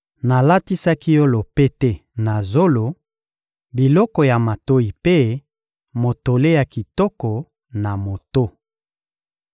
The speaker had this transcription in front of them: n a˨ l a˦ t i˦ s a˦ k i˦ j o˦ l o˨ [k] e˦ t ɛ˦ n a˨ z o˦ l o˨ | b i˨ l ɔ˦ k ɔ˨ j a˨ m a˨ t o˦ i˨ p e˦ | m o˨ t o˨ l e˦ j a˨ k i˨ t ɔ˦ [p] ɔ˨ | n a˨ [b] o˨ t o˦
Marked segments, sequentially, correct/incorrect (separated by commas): incorrect, incorrect, incorrect